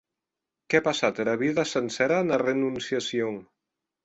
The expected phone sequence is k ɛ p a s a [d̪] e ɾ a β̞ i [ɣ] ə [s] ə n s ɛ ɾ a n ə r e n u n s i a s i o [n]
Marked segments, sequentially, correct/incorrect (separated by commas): incorrect, incorrect, correct, incorrect